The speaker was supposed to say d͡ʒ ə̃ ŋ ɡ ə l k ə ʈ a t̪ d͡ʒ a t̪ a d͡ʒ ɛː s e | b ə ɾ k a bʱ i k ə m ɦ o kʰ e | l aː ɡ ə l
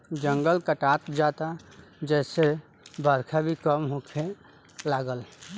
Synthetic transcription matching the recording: d͡ʒ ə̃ ŋ ɡ ə l k ə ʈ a t̪ d͡ʒ a t̪ a d͡ʒ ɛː s e | b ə ɾ kʰ a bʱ i k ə m ɦ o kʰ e | l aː ɡ ə l